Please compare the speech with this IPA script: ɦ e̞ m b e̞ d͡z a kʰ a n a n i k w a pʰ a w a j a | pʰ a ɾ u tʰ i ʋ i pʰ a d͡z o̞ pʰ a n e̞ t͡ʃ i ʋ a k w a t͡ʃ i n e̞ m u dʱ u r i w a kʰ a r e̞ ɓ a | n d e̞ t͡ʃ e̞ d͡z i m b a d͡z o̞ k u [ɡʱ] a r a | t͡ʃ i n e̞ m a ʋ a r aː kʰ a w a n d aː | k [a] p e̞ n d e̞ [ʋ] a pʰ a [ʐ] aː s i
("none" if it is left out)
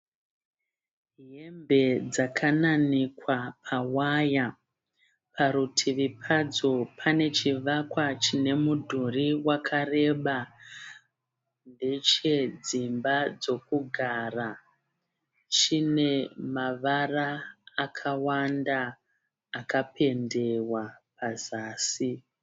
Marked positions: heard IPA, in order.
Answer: ɡʱ, a, w, z

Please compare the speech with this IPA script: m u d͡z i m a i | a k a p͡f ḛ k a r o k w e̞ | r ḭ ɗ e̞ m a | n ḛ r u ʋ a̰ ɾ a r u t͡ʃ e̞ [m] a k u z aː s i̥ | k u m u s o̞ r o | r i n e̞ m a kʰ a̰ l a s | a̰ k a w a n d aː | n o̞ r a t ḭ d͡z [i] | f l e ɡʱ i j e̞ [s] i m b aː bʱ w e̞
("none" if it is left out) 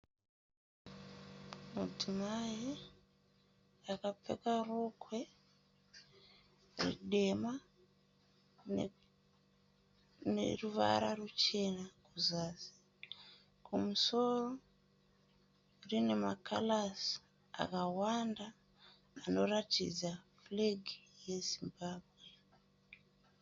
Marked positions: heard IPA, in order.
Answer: n, a, z

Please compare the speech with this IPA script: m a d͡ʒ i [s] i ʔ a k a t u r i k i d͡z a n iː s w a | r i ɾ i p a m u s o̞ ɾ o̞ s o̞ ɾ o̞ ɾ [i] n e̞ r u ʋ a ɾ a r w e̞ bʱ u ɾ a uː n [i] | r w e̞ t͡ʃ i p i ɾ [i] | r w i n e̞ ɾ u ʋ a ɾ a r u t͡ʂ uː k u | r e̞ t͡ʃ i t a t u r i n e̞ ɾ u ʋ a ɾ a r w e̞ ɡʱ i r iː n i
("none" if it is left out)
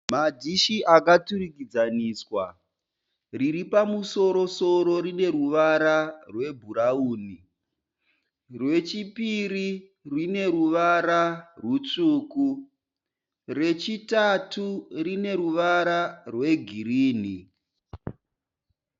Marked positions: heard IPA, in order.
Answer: ʃ, i, i, i

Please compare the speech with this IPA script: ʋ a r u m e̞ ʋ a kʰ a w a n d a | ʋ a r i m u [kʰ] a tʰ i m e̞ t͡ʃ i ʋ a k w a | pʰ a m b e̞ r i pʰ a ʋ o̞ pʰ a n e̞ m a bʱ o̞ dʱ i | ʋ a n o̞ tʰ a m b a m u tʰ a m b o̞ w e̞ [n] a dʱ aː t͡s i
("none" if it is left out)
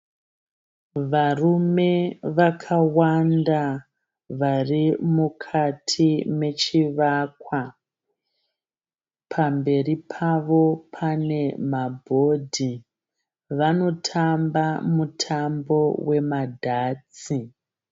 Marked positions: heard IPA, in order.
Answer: kʰ, m

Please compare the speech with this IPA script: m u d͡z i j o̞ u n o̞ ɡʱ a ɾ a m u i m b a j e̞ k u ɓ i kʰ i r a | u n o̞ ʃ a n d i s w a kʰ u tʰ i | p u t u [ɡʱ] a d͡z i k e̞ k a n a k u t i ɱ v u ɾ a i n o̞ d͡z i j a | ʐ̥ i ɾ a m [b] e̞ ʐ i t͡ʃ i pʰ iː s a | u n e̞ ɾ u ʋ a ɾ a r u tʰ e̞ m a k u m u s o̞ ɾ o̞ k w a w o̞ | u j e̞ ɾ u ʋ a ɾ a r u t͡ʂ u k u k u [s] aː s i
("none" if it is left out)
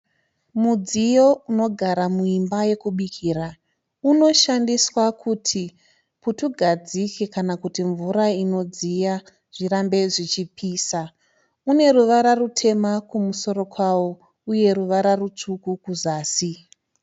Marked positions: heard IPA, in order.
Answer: ɡʱ, b, z

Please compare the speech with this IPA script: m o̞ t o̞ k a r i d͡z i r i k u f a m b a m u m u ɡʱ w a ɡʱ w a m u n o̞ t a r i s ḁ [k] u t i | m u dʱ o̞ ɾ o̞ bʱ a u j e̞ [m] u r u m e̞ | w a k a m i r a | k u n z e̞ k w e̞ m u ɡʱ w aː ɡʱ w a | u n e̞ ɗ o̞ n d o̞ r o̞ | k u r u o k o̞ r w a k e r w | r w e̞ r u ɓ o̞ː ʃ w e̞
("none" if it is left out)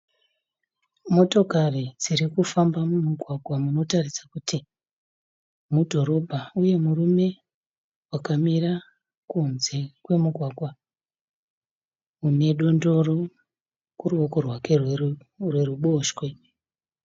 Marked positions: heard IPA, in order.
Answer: k, m

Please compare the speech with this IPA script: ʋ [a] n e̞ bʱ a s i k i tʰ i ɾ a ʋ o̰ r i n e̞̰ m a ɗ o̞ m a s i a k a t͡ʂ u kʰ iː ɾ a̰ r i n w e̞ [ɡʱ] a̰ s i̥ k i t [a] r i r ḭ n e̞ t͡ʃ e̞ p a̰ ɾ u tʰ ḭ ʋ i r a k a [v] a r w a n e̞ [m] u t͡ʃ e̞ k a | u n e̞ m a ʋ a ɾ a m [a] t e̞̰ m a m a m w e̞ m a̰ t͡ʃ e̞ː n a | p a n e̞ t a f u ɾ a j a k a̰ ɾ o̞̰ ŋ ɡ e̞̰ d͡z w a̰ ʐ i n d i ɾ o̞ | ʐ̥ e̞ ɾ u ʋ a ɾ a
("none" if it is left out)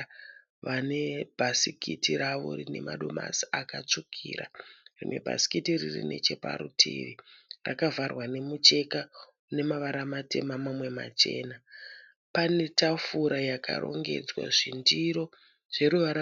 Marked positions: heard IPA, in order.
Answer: a, bʱ, i, v, m, a

